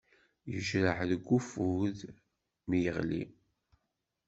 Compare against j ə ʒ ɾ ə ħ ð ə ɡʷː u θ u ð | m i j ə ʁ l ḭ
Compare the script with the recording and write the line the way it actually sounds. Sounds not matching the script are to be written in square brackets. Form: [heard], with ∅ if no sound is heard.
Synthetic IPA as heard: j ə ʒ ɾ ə ħ ð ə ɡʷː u [f] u ð | m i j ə ʁ l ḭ

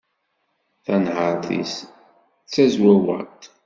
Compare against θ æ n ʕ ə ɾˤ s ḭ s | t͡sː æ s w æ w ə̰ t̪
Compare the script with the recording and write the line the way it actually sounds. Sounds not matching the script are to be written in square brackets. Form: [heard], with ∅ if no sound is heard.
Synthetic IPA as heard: θ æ n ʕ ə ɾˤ [θ] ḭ s | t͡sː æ [z] w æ w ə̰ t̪

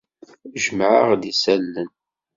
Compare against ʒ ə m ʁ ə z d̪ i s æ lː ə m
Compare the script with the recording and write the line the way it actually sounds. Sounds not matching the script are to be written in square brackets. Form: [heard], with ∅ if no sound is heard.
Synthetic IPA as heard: ʒ ə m [ʕ] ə [ʁ] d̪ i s æ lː ə [n]

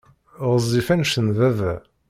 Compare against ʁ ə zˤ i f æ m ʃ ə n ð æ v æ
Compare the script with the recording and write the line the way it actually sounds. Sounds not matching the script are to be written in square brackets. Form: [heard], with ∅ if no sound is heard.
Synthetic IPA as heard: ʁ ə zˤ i f æ [n] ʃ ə n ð æ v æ

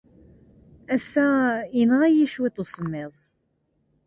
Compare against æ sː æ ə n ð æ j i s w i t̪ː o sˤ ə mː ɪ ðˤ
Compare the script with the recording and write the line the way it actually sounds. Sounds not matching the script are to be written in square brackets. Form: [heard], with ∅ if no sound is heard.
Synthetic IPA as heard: æ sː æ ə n [ʁ] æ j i [ʃ] w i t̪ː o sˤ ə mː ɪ ðˤ

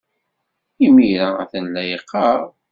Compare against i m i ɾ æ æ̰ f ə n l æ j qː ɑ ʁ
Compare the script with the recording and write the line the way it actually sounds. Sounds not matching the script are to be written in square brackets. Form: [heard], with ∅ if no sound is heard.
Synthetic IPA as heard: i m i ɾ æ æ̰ [θ] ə n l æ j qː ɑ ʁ

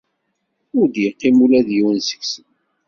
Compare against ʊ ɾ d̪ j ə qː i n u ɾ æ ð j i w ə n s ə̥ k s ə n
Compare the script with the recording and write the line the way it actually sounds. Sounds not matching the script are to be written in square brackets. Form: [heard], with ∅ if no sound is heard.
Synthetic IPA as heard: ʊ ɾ d̪ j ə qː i [m] u [l] æ ð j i w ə n s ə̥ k s ə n

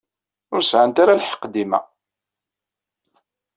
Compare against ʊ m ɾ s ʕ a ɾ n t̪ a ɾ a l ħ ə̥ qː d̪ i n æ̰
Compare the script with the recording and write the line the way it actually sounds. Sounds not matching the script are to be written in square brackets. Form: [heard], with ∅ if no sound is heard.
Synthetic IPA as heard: ʊ [∅] ɾ s ʕ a [∅] n t̪ a ɾ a l ħ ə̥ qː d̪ i [m] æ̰

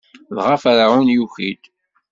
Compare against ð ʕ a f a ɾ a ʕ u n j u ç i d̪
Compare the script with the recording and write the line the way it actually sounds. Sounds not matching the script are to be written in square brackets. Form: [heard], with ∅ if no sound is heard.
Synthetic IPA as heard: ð [ʁ] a f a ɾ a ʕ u n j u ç i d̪

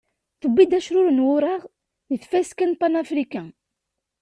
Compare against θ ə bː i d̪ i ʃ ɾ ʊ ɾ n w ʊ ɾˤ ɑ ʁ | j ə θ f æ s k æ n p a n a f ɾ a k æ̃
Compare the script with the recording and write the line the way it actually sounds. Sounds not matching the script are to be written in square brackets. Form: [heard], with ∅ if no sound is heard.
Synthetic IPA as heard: θ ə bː i d̪ [æ] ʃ ɾ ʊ ɾ n w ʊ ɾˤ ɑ ʁ | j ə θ f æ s k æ n p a n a f ɾ [i] k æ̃

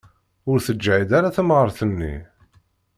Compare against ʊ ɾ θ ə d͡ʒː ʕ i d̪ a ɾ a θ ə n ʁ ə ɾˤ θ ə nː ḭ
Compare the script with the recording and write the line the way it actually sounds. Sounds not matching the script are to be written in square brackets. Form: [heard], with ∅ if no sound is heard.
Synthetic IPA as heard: ʊ ɾ θ ə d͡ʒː ʕ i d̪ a ɾ a θ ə [m] ʁ ə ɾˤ θ ə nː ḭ

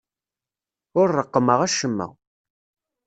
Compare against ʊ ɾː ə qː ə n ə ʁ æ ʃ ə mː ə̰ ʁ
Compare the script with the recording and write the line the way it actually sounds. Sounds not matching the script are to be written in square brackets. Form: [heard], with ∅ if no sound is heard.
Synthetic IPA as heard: ʊ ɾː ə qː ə [m] ə ʁ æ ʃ ə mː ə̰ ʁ

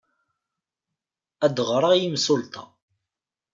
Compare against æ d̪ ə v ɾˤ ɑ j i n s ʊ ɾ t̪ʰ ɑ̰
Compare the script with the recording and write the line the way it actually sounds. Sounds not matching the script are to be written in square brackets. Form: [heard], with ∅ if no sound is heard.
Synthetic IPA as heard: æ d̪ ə [ʁ] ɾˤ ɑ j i [m] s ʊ [l] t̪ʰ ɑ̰

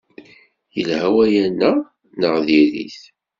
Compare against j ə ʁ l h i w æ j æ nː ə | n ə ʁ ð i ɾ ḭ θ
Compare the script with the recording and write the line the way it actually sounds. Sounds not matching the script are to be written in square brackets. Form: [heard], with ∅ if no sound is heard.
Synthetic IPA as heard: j ə [∅] l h [æ] w æ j æ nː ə | n ə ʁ ð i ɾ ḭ θ

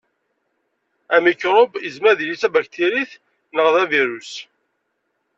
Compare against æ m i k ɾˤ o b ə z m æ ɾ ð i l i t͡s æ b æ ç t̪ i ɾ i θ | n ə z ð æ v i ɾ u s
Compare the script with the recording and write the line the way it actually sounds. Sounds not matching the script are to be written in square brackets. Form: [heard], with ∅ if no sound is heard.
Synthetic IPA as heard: æ m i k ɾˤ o b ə z m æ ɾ ð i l i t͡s æ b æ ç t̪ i ɾ i θ | n ə [ʁ] ð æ v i ɾ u s

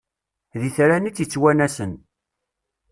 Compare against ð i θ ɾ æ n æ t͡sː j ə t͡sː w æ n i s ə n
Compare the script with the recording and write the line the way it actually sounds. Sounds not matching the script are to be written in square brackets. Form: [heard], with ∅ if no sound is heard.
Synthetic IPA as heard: ð i θ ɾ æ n [i] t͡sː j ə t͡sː w æ n [æ] s ə n

